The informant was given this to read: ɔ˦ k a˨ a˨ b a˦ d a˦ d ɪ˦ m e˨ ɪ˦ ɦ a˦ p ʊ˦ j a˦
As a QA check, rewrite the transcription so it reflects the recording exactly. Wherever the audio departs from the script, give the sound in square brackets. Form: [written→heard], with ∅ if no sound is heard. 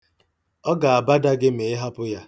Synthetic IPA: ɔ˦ [k→ɡ] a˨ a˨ b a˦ d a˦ [d→ɡ] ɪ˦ m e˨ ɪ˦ ɦ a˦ p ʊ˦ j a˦